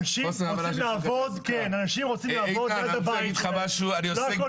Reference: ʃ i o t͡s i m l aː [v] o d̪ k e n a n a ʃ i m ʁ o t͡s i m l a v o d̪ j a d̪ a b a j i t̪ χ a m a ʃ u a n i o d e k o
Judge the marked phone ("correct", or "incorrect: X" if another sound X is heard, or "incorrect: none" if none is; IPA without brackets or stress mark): correct